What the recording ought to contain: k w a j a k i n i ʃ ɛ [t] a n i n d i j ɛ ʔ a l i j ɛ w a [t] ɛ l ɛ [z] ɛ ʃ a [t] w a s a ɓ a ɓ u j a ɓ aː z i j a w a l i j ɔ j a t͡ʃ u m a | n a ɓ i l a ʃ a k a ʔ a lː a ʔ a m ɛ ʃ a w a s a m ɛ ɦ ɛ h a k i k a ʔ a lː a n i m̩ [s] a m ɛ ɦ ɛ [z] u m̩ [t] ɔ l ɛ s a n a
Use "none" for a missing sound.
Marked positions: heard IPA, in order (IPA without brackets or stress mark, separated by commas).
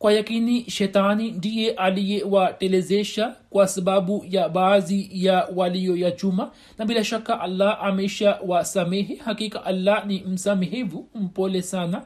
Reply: t, t, z, k, s, v, p